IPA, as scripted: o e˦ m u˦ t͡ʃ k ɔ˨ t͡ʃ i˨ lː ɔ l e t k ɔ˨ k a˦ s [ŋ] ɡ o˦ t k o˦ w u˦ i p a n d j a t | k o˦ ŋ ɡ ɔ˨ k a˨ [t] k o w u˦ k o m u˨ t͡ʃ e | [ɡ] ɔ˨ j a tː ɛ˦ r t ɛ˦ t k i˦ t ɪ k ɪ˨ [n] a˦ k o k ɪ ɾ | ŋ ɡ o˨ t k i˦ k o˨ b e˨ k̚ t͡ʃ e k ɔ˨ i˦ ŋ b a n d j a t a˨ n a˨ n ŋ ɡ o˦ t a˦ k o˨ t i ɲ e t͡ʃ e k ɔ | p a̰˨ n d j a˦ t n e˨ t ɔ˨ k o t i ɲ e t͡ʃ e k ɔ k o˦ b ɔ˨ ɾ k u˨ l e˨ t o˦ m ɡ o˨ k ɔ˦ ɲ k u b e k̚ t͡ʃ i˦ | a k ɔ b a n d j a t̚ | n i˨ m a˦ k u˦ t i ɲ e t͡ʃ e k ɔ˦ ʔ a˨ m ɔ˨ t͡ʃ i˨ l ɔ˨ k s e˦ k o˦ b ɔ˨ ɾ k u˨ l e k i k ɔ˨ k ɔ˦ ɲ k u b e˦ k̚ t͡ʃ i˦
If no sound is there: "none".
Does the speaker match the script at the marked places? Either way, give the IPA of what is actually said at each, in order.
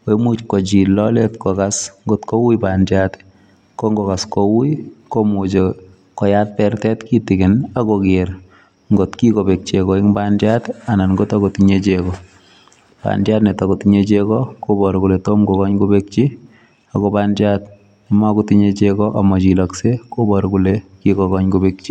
ŋ, s, k, n

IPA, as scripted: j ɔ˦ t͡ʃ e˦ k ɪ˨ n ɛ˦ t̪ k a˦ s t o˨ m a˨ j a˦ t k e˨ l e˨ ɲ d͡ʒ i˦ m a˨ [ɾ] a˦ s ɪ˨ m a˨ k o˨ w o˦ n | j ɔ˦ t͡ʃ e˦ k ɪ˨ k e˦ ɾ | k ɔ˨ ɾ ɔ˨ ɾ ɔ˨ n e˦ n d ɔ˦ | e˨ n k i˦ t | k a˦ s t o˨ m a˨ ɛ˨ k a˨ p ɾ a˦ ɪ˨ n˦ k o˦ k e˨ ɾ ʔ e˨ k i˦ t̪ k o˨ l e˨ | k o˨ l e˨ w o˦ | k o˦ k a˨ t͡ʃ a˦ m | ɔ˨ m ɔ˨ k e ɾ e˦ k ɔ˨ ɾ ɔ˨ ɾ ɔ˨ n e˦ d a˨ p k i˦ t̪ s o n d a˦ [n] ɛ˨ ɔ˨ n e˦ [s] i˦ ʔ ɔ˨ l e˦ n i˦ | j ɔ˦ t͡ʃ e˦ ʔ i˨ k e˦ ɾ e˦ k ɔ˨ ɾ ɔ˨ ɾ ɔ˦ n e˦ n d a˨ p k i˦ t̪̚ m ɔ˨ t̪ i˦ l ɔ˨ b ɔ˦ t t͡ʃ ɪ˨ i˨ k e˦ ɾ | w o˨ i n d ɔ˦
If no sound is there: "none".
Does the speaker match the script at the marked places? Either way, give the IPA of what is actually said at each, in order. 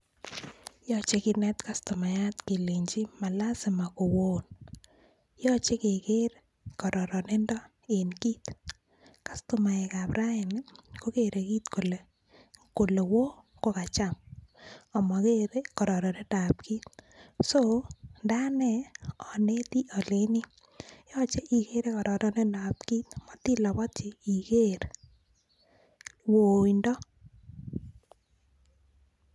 l, n, t

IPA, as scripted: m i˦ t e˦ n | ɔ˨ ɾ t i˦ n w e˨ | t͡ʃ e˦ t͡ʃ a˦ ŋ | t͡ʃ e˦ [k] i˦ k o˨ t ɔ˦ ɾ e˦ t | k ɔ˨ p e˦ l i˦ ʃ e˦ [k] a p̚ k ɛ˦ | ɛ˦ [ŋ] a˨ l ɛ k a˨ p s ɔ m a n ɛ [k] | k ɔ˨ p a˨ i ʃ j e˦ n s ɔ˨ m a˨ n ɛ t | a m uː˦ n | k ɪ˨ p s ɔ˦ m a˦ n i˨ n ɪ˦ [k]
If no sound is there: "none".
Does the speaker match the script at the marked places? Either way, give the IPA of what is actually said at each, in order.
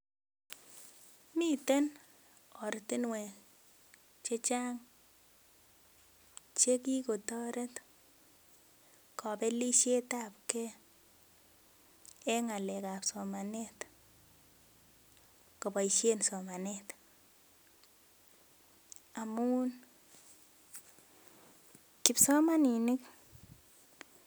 k, t, ŋ, t, k

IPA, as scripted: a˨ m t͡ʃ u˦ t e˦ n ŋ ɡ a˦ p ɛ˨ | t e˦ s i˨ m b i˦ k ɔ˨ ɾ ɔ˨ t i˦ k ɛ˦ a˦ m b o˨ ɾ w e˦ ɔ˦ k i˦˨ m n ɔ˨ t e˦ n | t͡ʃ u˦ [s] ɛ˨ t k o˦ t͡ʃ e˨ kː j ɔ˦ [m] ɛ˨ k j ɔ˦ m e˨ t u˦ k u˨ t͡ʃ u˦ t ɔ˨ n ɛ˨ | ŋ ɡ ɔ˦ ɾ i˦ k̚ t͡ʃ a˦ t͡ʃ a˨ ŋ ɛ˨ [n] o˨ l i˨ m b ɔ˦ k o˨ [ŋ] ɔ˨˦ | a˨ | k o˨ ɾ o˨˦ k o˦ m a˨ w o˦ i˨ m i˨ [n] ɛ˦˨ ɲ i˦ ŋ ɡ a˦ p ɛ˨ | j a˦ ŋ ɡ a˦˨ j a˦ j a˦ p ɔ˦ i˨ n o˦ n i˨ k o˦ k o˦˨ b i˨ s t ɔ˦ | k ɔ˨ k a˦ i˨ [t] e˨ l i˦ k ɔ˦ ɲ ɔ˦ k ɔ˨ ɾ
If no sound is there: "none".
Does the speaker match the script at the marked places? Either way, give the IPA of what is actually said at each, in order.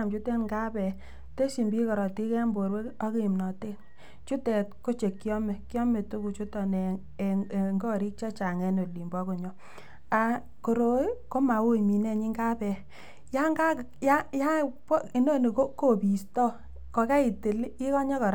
t, m, n, ɲ, n, t

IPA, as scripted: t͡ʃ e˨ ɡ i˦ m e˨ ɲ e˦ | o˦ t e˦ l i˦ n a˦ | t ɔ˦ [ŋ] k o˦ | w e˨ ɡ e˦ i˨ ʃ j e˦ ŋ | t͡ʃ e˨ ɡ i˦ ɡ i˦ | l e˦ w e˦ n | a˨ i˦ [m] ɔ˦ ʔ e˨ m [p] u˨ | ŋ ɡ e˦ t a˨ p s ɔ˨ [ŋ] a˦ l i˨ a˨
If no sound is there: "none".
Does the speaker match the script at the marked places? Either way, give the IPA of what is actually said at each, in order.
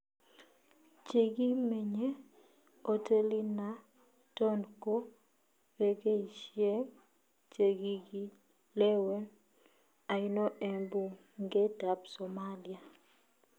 n, n, b, m

